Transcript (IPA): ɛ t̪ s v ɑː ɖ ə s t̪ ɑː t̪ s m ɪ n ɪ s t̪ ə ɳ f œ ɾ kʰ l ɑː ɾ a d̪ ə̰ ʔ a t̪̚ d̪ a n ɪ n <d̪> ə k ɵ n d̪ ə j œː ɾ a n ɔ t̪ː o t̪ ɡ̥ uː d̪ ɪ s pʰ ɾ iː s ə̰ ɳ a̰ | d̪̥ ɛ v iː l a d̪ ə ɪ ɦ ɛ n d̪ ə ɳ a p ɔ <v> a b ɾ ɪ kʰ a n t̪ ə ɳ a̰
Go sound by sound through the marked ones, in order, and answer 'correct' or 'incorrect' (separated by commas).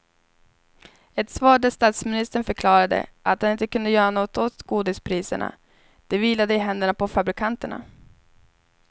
incorrect, incorrect